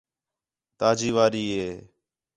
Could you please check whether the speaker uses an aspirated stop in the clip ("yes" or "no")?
no